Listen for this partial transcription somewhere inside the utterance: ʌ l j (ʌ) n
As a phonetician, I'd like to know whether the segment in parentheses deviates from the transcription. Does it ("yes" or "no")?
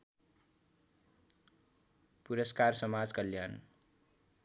yes